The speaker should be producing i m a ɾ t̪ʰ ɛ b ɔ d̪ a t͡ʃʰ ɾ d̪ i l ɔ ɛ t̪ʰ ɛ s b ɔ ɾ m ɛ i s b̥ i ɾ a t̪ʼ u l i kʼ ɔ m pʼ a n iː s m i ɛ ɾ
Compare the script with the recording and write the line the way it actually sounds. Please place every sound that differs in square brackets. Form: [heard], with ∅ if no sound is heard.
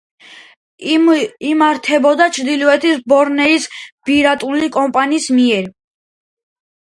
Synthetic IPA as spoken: i m a ɾ t̪ʰ ɛ b ɔ d̪ a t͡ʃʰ ɾ d̪ i l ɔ ɛ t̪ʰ [i] s b ɔ ɾ [n] ɛ i s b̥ i ɾ a t̪ʼ u l i kʼ ɔ m pʼ a n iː s m i ɛ ɾ